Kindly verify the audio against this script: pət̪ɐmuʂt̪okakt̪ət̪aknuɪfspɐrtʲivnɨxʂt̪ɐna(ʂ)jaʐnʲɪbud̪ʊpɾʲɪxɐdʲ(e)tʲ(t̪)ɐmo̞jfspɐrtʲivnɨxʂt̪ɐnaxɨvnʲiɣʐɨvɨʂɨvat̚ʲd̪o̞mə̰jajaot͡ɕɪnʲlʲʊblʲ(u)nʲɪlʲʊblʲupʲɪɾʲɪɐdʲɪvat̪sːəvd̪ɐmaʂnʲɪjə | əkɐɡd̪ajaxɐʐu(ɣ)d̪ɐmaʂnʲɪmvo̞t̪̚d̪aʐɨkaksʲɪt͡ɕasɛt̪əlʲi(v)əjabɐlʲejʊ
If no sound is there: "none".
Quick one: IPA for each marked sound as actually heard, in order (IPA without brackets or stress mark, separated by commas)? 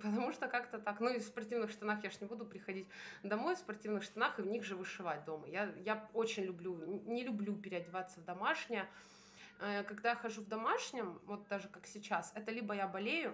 x, i, d̪, u, v, b